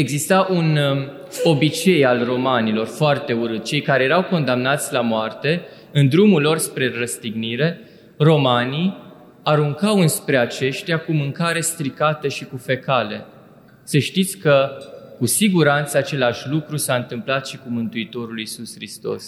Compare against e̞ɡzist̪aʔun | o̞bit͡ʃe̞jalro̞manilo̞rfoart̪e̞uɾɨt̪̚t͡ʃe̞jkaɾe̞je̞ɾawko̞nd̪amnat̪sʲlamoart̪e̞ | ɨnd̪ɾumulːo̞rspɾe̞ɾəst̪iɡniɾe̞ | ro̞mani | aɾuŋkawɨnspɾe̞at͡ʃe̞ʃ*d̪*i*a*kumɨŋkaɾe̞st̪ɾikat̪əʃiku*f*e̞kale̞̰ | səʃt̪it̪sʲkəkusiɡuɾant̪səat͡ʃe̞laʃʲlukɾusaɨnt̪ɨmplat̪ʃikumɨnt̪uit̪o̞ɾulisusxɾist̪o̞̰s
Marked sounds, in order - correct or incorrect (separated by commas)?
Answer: incorrect, correct, correct